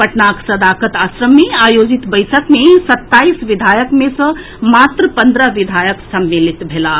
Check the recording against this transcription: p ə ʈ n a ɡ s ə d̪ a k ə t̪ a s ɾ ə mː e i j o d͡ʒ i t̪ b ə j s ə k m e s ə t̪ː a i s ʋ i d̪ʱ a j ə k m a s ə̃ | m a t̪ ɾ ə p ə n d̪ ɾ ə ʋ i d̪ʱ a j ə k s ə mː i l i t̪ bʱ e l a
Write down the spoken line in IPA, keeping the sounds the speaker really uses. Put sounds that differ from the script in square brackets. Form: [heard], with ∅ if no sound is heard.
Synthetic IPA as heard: p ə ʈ n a [k] s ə d̪ a k ə t̪ a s ɾ ə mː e [a] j o d͡ʒ i t̪ b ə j s ə k m e s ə t̪ː a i s ʋ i d̪ʱ a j ə k m [e] s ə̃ | m a t̪ ɾ ə p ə n d̪ ɾ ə ʋ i d̪ʱ a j ə k s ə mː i l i t̪ bʱ e l a